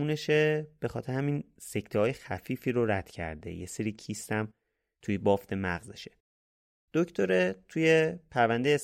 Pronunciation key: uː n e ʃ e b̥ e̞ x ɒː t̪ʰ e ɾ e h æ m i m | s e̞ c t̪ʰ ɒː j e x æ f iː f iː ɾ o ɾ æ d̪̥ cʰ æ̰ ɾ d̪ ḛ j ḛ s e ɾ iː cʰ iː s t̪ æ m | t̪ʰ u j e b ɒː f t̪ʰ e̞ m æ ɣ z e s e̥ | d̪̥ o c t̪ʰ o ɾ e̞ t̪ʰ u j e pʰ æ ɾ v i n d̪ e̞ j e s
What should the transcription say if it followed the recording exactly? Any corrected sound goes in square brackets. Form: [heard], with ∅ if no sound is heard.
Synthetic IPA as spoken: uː n e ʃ e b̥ e̞ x ɒː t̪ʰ e ɾ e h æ m i [n] | s e̞ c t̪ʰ ɒː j e x æ f iː f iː ɾ o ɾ æ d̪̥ cʰ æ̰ ɾ d̪ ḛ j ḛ s e ɾ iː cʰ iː s t̪ æ m | t̪ʰ u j e b ɒː f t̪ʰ e̞ m æ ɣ z e [ʃ] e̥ | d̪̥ o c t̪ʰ o ɾ e̞ t̪ʰ u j e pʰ æ ɾ v [æ] n d̪ e̞ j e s